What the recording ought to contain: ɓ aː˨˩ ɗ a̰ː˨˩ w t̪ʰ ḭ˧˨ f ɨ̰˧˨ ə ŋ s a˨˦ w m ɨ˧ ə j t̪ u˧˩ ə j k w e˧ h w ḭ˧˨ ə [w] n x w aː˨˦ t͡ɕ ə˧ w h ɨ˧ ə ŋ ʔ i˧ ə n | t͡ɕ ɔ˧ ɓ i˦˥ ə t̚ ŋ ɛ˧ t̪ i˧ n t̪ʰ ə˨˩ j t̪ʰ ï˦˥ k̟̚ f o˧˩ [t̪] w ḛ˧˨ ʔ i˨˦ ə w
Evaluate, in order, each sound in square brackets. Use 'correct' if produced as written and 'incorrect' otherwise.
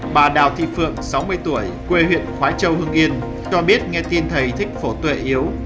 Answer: incorrect: none, correct

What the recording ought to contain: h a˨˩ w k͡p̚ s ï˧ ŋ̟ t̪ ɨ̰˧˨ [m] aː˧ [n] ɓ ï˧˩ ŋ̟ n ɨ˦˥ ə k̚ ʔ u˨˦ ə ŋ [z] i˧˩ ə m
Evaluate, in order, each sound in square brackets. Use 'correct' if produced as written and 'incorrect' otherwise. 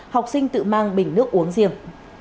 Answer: correct, incorrect: ŋ, correct

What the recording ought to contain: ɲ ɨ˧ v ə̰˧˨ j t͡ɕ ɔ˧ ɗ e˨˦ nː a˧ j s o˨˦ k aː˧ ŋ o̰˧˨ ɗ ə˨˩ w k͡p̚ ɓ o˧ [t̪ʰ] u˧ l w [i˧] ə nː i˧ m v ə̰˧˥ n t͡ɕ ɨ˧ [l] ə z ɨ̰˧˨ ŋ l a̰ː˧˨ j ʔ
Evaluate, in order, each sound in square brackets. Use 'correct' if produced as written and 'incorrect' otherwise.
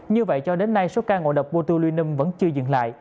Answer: incorrect: t̪, correct, incorrect: none

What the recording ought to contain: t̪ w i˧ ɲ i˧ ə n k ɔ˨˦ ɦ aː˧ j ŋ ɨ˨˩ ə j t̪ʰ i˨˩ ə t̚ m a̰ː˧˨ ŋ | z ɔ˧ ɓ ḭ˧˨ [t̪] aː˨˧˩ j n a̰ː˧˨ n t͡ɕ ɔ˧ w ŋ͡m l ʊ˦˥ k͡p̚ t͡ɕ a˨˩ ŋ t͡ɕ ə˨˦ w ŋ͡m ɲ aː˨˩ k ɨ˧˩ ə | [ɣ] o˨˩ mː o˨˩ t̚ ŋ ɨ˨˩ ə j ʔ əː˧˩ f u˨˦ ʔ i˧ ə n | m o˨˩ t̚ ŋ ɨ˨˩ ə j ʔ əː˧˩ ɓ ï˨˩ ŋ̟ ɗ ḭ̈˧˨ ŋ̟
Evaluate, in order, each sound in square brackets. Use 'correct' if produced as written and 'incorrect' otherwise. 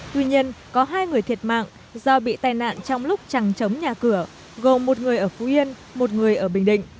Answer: correct, correct

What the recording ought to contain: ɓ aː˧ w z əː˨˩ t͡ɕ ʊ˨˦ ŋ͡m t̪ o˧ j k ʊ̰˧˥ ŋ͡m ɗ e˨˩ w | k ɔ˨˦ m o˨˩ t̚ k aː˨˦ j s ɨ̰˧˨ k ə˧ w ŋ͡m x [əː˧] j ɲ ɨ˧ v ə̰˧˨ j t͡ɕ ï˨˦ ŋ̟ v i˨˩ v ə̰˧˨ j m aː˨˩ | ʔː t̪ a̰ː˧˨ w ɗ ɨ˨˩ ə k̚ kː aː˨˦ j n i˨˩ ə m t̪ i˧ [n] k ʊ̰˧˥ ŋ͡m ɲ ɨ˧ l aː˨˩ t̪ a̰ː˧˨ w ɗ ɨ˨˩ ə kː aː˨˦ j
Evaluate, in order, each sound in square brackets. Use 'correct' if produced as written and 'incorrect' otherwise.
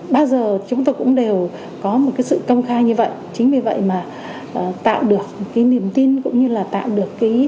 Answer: incorrect: aː˧, correct

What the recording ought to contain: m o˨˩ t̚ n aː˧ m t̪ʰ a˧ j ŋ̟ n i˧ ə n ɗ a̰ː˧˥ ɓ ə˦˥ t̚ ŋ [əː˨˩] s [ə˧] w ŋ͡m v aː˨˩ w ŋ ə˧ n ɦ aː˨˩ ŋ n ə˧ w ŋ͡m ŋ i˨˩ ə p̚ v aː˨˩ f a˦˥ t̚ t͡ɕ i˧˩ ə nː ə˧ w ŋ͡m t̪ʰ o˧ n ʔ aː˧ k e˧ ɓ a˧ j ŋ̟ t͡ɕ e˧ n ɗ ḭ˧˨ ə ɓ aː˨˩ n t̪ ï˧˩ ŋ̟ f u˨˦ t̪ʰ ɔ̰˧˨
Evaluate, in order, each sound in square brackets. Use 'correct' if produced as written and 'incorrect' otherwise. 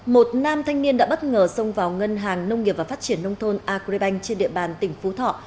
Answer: correct, correct

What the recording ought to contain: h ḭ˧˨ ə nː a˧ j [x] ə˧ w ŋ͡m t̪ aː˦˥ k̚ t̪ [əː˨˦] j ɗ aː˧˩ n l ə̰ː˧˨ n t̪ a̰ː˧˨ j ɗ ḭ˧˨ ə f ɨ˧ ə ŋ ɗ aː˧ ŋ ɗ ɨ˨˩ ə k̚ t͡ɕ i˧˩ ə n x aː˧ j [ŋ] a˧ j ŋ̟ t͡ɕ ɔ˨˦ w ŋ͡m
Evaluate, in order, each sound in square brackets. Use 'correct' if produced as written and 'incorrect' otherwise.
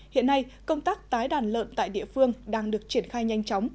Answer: incorrect: k, incorrect: aː˨˦, incorrect: ɲ

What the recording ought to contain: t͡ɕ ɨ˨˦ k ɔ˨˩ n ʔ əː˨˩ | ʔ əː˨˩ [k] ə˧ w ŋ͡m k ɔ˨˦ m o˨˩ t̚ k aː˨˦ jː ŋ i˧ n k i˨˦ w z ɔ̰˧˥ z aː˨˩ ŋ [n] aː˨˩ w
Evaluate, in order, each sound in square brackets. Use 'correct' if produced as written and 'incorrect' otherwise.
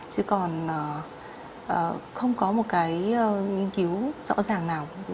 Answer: incorrect: x, correct

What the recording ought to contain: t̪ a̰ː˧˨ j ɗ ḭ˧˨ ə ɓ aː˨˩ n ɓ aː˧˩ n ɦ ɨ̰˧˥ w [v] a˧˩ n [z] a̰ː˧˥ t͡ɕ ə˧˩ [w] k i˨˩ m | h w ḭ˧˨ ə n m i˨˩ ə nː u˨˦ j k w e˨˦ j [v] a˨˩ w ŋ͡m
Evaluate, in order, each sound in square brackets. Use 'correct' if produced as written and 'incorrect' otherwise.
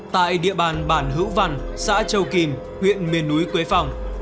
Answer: correct, incorrect: s, correct, incorrect: f

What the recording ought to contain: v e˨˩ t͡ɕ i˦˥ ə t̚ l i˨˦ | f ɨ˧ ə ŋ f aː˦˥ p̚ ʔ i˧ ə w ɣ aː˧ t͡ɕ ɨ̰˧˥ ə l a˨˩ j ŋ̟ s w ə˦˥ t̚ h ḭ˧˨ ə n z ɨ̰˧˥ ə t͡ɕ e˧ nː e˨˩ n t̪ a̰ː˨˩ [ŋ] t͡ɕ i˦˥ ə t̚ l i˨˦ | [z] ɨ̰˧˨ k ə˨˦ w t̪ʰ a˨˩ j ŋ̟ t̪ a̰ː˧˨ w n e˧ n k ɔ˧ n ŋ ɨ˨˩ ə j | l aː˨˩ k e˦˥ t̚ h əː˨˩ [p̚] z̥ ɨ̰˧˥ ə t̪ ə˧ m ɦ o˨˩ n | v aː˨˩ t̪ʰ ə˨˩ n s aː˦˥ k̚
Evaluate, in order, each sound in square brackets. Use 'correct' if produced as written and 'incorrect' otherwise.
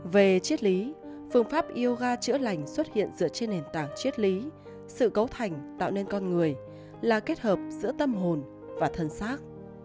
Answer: correct, incorrect: s, correct

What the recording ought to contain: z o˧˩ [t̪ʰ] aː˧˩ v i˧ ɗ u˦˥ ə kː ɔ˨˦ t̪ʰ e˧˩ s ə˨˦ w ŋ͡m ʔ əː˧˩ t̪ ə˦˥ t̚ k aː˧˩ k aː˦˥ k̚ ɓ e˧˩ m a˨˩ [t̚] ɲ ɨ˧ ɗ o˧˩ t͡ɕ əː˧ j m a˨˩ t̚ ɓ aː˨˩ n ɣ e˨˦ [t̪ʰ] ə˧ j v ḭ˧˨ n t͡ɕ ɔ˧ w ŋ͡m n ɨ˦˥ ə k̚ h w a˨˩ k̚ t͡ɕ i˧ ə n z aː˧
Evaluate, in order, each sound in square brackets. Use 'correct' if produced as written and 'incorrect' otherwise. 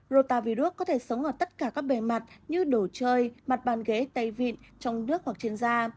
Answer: incorrect: t̪, correct, incorrect: t̪

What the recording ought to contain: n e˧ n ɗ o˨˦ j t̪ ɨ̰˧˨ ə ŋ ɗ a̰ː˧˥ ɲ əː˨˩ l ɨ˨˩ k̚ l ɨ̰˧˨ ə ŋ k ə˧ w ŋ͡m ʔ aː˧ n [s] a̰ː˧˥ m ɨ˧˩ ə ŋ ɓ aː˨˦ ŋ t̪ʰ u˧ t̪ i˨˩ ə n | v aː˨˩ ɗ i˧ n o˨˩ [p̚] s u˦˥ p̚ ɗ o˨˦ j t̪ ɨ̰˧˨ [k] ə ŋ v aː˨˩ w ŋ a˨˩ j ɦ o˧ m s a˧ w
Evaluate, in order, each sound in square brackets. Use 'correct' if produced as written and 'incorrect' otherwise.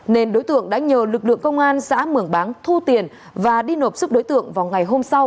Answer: correct, correct, incorrect: none

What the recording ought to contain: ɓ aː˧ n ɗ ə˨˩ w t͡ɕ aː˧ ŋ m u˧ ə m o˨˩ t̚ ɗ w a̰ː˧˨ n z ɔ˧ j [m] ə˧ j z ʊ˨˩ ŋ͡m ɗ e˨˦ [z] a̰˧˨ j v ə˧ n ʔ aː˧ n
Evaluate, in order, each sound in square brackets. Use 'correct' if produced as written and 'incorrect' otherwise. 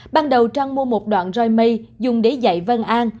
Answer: correct, correct

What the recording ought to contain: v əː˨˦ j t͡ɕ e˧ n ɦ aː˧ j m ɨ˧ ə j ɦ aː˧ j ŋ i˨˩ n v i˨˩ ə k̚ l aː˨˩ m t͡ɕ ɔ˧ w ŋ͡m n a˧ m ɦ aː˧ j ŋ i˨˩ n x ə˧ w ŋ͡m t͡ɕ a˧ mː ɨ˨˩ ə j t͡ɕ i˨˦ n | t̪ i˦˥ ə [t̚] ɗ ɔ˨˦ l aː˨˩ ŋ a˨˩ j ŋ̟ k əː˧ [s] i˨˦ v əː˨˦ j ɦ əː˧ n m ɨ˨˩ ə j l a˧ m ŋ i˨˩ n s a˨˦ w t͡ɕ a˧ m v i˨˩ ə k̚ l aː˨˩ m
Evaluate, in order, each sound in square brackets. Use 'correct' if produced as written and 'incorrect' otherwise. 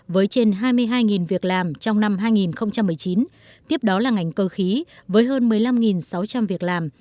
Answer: incorrect: p̚, incorrect: x

